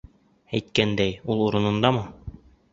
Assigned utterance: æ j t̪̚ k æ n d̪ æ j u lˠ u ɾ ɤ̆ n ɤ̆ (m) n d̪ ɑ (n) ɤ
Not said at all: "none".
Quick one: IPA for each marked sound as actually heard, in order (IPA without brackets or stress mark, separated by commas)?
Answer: none, m